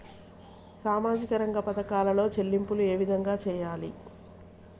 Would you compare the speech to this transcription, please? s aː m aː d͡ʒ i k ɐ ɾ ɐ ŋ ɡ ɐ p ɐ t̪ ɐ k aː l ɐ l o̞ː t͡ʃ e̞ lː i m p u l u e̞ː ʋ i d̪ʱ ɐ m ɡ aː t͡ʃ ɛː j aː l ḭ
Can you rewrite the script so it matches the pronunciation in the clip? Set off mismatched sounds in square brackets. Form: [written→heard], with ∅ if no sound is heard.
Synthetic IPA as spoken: s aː m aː d͡ʒ i k ɐ ɾ ɐ ŋ ɡ ɐ p ɐ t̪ ɐ k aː l ɐ l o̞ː t͡ʃ e̞ lː i m p u l u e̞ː ʋ i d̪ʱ ɐ [m→ŋ] ɡ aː t͡ʃ ɛː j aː l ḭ